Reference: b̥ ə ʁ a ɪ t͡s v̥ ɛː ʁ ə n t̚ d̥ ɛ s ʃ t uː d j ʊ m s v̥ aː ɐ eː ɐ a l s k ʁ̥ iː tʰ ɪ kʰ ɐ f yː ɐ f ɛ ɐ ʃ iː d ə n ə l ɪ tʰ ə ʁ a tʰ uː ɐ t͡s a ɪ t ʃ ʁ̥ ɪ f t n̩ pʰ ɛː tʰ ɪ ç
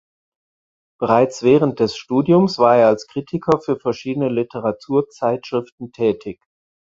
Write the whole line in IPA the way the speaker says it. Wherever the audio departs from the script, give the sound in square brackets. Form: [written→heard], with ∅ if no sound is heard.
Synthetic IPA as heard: b̥ ə ʁ a ɪ t͡s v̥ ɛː ʁ ə n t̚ d̥ ɛ s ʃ t uː d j ʊ m s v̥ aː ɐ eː ɐ a l s k ʁ̥ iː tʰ ɪ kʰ ɐ f yː ɐ f ɛ ɐ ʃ iː d ə n ə l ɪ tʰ ə ʁ a tʰ uː ɐ t͡s a ɪ t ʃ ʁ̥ ɪ f t n̩ [pʰ→tʰ] ɛː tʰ ɪ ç